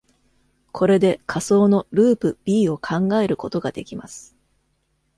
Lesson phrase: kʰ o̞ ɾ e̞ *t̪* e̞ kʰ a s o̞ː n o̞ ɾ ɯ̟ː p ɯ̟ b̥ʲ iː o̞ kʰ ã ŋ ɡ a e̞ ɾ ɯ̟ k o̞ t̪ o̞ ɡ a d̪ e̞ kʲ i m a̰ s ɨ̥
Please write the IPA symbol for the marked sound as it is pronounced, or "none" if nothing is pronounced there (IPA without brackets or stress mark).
d̪